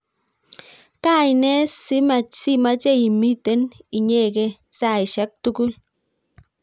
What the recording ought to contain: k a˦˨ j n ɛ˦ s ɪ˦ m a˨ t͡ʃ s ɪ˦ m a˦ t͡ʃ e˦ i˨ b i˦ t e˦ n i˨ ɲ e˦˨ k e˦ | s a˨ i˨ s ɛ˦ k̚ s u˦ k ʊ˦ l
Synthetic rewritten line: k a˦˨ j n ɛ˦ s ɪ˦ m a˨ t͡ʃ s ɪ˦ m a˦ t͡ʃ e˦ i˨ m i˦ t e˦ n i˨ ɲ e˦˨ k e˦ | s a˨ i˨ ʃ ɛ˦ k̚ t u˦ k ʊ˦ l